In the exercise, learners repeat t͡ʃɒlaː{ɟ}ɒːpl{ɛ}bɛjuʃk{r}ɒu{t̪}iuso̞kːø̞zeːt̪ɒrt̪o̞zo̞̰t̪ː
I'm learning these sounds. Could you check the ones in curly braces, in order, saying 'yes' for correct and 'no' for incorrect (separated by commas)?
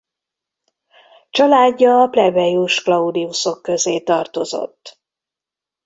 no, yes, no, no